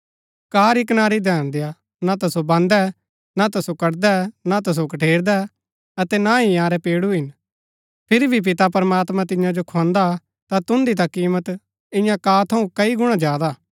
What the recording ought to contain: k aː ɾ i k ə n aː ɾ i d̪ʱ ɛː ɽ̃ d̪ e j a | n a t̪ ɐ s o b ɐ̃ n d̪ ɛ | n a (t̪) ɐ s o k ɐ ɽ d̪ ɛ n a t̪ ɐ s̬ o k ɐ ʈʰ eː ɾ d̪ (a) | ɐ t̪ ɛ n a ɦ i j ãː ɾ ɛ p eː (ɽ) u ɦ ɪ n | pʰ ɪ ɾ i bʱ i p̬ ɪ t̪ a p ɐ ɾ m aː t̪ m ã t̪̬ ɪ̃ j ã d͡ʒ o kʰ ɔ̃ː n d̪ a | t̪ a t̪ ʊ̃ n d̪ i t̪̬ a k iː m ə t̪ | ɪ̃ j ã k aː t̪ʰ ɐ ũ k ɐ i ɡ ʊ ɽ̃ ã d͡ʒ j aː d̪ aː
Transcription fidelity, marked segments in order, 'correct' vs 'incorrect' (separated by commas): correct, incorrect, correct